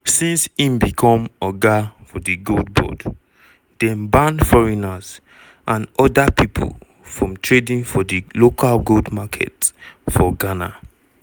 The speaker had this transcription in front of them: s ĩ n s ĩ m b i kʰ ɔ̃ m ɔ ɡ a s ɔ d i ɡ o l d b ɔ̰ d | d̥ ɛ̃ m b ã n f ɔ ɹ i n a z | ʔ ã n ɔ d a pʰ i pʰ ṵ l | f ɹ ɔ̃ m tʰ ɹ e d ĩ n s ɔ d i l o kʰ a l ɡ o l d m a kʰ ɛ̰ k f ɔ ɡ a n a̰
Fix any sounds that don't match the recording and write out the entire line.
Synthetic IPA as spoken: s ĩ n s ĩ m b i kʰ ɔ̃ m ɔ ɡ a f ɔ d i ɡ o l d b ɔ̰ d | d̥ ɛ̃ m b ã n f ɔ ɹ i n a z | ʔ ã n ɔ d a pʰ i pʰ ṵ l | f ɹ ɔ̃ m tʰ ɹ e d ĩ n f ɔ d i l o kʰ a l ɡ o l d m a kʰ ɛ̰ t f ɔ ɡ a n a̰